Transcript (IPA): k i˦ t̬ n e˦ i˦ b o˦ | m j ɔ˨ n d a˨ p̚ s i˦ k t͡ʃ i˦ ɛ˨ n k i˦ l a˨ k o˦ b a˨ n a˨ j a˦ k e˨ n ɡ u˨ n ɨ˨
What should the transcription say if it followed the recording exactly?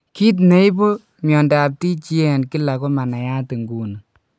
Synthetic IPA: k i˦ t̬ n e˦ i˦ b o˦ | m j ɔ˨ n d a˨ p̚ t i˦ t͡ʃ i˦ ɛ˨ n k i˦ l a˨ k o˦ m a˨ n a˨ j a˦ t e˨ ŋ ɡ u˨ n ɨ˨